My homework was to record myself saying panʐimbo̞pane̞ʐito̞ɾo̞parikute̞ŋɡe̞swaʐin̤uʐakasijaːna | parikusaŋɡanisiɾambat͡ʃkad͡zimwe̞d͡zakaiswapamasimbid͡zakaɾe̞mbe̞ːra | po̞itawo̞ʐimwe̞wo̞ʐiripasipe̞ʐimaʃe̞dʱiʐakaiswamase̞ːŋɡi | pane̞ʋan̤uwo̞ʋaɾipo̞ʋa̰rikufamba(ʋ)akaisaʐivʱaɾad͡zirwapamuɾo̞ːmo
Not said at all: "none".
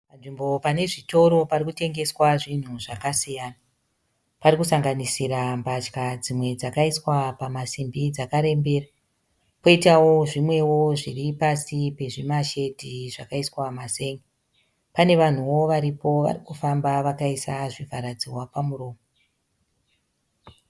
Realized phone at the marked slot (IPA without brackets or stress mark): ʋ